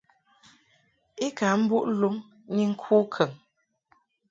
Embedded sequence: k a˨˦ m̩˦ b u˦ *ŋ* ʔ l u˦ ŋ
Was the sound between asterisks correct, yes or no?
no